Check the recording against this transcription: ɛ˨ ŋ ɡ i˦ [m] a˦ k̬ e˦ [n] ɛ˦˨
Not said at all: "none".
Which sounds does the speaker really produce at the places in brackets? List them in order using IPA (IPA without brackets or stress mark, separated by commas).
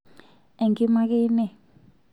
m, n